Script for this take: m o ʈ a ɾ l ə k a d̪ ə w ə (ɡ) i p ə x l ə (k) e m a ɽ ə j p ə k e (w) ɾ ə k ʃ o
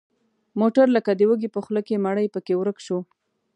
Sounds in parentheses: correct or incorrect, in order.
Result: correct, correct, correct

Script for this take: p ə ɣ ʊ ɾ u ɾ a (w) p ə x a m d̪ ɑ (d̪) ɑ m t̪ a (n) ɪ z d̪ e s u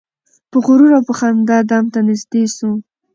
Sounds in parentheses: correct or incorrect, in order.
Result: correct, correct, correct

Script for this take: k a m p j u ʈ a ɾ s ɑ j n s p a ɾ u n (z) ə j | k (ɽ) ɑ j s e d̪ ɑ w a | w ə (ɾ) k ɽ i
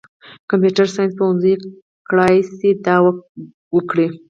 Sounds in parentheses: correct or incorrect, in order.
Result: correct, correct, incorrect: none

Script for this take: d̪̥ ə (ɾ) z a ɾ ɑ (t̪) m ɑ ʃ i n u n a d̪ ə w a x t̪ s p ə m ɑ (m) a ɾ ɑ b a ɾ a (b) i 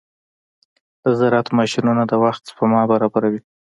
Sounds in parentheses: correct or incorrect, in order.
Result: incorrect: none, correct, incorrect: b, incorrect: w

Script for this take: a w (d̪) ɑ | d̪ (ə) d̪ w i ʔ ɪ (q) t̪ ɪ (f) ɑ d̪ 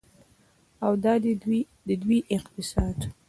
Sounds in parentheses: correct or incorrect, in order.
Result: correct, correct, correct, incorrect: s

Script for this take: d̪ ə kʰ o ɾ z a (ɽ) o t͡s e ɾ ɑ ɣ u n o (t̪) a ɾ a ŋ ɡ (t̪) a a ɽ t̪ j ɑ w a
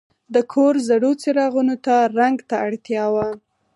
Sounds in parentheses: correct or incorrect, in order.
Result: correct, correct, correct

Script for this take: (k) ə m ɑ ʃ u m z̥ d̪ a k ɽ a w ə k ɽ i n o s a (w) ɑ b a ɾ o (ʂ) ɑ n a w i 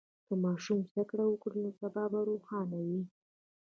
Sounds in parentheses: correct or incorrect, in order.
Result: correct, incorrect: b, incorrect: x

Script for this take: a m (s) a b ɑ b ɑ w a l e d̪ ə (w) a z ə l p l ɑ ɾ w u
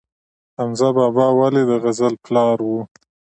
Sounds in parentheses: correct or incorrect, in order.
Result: incorrect: z, incorrect: ɣ

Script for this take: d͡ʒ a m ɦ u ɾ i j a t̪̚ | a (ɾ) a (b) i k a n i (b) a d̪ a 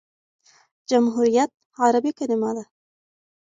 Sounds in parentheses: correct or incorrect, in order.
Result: correct, correct, incorrect: m

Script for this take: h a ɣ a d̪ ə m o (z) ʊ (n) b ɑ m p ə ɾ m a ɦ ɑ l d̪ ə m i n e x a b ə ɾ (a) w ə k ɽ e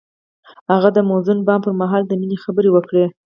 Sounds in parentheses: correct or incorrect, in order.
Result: correct, correct, incorrect: e

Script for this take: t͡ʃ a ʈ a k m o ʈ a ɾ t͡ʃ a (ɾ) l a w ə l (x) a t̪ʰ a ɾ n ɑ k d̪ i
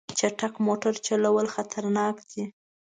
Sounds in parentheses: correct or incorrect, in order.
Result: incorrect: none, correct

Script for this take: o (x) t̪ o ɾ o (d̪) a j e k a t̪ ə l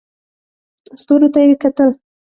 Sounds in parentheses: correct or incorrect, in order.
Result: incorrect: s, incorrect: t̪

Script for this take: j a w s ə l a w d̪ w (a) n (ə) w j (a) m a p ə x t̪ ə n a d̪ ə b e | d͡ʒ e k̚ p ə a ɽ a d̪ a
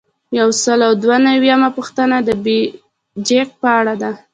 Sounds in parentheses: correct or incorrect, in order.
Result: correct, incorrect: a, correct

